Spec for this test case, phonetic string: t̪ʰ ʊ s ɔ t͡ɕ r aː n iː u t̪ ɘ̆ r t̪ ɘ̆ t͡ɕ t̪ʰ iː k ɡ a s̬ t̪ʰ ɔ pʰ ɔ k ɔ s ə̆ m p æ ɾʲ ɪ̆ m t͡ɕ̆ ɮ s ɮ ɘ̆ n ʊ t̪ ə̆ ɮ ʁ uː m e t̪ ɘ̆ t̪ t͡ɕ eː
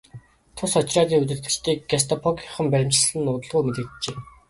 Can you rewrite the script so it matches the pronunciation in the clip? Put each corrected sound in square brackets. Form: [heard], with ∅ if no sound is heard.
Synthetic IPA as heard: t̪ʰ ʊ s ɔ t͡ɕ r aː n iː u t̪ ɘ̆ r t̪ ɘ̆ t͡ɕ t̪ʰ iː k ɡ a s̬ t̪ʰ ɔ pʰ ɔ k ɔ [χ] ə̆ m p æ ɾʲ ɪ̆ m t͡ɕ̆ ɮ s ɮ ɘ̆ n ʊ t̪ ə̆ ɮ ʁ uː m e t̪ ɘ̆ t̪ t͡ɕ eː